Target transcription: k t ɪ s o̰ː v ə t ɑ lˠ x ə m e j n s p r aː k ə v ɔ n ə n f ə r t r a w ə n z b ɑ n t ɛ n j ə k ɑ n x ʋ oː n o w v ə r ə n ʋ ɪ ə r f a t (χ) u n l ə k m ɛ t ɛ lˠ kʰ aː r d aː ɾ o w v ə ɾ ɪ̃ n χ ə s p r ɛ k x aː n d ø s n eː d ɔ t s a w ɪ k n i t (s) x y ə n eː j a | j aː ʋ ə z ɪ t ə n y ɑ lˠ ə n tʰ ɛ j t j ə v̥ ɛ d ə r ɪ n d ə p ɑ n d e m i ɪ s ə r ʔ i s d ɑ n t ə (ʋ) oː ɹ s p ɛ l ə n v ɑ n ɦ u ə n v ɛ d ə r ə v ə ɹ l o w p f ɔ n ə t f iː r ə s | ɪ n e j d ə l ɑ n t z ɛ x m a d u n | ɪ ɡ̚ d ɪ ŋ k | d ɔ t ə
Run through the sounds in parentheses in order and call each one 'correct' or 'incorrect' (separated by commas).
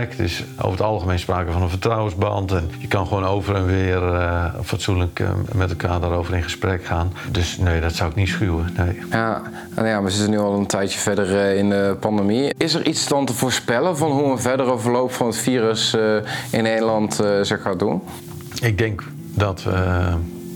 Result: incorrect, correct, incorrect